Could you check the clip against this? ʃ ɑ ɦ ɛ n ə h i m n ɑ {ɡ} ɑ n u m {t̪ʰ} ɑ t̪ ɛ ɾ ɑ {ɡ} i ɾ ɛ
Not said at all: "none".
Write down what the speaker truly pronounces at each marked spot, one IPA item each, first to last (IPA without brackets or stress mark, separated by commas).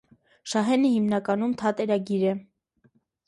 k, t̪ʰ, ɡ